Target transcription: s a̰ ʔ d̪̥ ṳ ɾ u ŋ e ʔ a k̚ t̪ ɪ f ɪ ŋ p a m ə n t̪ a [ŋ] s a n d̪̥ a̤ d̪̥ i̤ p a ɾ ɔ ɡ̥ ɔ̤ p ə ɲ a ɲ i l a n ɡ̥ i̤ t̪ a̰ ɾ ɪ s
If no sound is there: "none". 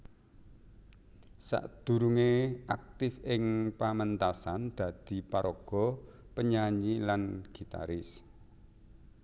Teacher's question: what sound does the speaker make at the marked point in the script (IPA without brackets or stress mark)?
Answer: none